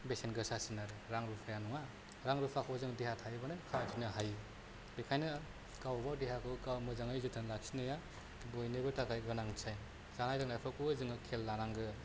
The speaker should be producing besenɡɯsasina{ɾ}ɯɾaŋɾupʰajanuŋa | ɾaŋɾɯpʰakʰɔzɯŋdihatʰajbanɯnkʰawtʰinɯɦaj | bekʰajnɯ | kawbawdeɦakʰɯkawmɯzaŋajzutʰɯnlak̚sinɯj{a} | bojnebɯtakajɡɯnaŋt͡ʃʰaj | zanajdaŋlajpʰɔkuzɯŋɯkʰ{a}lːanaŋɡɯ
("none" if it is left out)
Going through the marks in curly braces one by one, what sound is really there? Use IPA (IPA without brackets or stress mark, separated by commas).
ɾ, a, e